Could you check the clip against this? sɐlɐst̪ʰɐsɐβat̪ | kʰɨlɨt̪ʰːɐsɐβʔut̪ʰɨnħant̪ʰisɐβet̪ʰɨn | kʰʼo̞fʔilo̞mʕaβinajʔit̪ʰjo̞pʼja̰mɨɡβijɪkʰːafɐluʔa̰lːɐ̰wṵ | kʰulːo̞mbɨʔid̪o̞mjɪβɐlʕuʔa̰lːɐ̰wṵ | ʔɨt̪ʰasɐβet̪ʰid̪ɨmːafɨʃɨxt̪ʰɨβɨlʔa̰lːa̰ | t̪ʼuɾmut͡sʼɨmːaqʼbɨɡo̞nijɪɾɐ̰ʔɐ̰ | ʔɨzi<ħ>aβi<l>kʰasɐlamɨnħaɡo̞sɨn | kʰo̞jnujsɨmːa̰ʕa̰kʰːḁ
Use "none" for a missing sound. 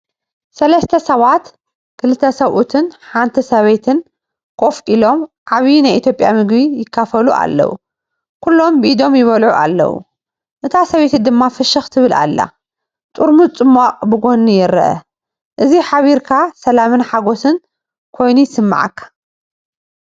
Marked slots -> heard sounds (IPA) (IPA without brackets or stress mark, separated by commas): ħ, ɾ